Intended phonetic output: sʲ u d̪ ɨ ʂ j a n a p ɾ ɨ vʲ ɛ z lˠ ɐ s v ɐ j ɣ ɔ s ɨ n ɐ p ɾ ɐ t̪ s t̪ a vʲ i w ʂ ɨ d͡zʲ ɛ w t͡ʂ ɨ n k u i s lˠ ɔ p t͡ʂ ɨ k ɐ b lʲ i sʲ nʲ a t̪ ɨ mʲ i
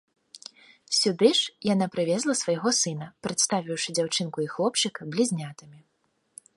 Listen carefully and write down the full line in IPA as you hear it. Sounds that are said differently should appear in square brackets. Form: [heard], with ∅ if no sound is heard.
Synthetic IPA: sʲ u d̪ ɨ ʂ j a n a p ɾ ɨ vʲ ɛ z lˠ ɐ s v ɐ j ɣ ɔ s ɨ n ɐ p ɾ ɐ t̪ s t̪ a vʲ i w ʂ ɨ d͡zʲ [a] w t͡ʂ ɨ n k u i [x] lˠ ɔ p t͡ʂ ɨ k ɐ b lʲ i [zʲ] nʲ a t̪ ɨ mʲ i